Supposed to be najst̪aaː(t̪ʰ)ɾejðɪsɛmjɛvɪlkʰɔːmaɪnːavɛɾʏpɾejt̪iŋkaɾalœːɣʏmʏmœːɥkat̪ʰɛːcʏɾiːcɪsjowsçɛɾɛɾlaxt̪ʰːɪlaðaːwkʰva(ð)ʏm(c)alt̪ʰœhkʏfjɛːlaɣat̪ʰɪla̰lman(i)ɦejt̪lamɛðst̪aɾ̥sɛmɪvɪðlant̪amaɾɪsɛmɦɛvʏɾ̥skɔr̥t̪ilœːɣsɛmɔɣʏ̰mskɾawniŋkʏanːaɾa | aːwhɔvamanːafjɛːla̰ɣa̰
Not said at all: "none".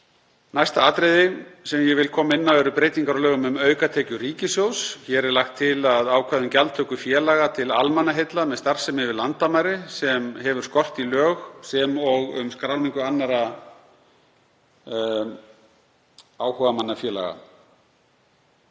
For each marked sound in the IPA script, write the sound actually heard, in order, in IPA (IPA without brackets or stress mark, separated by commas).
t̪, ð, c, a